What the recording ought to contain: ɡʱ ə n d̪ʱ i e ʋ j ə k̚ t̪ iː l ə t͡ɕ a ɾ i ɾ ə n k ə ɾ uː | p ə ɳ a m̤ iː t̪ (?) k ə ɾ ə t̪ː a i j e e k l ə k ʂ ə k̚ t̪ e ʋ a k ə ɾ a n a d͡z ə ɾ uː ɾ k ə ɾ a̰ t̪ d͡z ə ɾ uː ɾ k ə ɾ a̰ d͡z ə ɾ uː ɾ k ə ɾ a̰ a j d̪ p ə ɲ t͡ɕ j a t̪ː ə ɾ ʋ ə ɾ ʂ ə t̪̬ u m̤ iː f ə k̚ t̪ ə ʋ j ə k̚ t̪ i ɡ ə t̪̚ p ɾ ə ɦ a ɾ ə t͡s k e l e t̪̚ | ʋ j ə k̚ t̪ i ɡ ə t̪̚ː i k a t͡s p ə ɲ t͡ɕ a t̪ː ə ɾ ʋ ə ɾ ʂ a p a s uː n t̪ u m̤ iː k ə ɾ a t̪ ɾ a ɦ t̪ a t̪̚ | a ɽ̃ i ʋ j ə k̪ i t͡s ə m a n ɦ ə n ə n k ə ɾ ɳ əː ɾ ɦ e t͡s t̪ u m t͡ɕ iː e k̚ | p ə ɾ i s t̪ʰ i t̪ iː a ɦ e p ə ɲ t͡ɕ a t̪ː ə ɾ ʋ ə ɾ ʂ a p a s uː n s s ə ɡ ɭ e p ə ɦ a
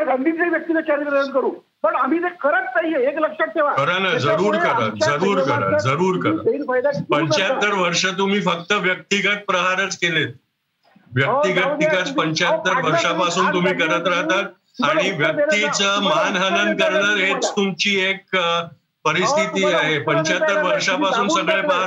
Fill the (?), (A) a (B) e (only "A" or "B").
B